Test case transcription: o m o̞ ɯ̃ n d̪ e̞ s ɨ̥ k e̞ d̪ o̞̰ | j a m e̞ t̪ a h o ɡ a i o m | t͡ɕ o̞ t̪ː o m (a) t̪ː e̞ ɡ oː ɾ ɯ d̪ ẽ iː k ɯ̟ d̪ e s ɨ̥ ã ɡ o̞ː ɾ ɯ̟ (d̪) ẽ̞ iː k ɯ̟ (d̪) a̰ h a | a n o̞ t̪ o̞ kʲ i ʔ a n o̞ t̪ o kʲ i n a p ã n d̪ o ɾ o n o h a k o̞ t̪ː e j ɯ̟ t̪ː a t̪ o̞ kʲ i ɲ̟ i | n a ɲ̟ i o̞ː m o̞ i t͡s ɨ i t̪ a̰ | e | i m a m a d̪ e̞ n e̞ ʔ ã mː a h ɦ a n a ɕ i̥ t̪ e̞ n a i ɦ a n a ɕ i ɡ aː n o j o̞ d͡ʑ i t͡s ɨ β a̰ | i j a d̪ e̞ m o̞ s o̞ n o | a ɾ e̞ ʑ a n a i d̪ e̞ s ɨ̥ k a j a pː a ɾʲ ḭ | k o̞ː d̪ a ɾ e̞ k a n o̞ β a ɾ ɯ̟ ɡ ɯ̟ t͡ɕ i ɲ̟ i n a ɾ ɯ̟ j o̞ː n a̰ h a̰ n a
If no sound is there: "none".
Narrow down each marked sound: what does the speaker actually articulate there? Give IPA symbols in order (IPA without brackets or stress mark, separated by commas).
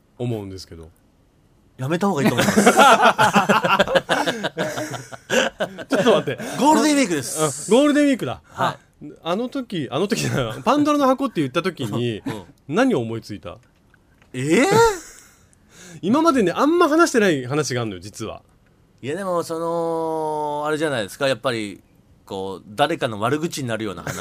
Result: a, d̪, d̪